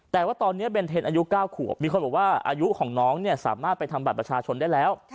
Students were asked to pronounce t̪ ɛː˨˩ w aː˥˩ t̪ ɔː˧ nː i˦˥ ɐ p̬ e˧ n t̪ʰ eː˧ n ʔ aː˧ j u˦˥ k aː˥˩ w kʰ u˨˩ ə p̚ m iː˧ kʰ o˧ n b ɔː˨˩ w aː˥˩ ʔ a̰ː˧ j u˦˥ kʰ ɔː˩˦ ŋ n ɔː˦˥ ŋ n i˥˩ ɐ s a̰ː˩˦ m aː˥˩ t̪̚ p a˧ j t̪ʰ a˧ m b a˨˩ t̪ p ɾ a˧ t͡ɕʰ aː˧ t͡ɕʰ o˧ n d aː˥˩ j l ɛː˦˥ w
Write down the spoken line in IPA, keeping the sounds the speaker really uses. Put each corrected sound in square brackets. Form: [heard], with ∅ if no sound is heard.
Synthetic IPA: t̪ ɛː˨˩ w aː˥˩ t̪ ɔː˧ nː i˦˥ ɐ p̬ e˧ n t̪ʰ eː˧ n ʔ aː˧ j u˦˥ k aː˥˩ w kʰ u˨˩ ə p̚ m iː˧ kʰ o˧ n b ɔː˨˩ w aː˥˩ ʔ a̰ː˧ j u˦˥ kʰ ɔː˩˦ ŋ n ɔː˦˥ ŋ n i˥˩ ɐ s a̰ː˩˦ m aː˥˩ t̪̚ p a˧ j t̪ʰ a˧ m b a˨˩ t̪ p ɾ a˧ t͡ɕʰ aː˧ t͡ɕʰ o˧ n d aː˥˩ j l ɛː˦˥ w